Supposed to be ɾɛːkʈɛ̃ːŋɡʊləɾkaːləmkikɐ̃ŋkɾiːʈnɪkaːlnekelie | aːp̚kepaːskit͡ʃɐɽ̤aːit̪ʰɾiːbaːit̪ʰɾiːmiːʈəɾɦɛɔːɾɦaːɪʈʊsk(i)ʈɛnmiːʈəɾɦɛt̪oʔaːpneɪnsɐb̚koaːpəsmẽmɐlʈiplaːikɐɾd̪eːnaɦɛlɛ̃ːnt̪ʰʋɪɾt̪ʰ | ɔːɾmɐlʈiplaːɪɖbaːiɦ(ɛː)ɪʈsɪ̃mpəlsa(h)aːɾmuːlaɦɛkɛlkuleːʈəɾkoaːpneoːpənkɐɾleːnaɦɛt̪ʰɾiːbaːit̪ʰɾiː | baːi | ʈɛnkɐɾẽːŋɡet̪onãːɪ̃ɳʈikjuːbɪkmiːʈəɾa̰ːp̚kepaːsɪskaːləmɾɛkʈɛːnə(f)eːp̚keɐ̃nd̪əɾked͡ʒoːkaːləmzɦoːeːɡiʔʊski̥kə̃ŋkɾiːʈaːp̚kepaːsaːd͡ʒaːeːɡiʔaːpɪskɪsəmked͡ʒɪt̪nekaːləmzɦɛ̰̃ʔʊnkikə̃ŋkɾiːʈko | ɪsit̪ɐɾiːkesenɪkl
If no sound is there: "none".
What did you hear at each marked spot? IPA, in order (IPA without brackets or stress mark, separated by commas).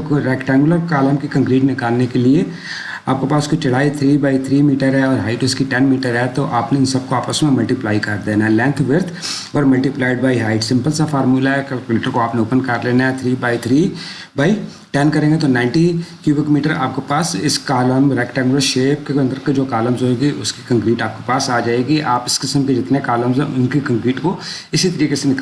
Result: i, aː, f, ʃ